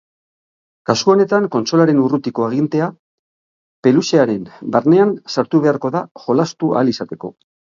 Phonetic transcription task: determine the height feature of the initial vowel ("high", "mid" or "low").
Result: low